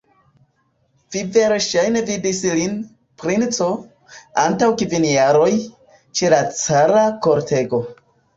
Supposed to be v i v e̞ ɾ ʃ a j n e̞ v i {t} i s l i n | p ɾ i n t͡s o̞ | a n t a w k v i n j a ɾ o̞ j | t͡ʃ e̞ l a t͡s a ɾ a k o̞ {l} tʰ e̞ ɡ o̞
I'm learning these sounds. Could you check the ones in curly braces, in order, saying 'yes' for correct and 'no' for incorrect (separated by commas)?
no, no